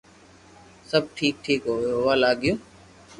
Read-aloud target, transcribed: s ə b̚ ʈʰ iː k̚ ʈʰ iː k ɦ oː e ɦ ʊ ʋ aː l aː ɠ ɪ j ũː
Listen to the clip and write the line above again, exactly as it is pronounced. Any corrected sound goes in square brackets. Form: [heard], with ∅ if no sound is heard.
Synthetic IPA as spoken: s ə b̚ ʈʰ iː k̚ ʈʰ iː k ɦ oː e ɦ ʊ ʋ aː l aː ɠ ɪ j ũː